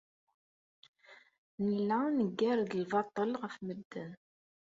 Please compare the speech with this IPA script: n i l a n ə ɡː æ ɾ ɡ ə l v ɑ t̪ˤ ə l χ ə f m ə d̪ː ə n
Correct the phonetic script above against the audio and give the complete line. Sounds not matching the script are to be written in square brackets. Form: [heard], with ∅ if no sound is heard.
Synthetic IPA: n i l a n ə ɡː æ ɾ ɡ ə l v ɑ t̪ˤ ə l [ʁ] ə f m ə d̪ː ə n